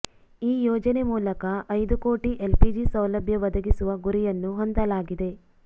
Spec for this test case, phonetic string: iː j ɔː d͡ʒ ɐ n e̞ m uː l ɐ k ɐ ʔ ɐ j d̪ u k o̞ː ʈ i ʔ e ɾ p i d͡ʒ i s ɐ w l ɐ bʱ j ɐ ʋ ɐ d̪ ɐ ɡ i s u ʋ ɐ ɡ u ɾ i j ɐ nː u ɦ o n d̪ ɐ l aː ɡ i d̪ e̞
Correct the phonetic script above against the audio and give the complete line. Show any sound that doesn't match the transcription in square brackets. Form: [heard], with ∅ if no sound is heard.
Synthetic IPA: iː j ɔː d͡ʒ ɐ n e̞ m uː l ɐ k ɐ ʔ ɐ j d̪ u k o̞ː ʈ i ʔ e [l] p i d͡ʒ i s ɐ w l ɐ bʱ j ɐ ʋ ɐ d̪ ɐ ɡ i s u ʋ ɐ ɡ u ɾ i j ɐ nː u ɦ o n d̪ ɐ l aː ɡ i d̪ e̞